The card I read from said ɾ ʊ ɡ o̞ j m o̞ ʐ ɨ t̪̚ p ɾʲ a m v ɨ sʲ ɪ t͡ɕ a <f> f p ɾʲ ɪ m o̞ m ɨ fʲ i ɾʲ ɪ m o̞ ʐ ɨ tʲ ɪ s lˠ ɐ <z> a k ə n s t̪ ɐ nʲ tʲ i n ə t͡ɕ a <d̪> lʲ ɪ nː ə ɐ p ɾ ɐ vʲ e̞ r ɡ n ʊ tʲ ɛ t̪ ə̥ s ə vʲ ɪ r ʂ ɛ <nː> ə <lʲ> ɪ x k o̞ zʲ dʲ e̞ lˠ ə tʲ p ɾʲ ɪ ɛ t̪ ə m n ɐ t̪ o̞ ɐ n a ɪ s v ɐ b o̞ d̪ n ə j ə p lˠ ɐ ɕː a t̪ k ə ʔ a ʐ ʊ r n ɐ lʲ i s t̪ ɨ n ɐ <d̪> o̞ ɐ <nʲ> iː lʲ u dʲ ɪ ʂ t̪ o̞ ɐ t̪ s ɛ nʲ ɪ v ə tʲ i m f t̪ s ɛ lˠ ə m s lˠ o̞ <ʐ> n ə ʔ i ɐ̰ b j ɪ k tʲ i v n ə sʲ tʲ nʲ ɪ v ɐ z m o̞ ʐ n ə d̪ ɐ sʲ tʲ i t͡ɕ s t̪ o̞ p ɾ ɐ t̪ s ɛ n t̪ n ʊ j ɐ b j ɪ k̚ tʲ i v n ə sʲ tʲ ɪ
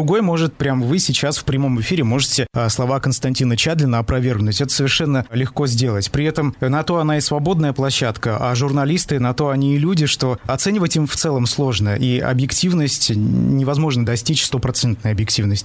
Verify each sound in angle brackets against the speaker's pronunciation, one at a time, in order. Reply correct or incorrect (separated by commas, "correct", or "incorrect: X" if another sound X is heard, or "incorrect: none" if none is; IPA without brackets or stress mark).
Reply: incorrect: s, incorrect: v, correct, correct, correct, incorrect: t̪, correct, correct